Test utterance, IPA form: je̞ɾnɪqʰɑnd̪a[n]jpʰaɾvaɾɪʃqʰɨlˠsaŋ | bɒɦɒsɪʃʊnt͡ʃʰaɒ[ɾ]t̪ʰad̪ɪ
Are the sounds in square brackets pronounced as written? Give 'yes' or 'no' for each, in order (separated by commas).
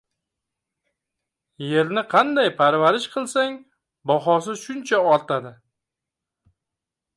no, yes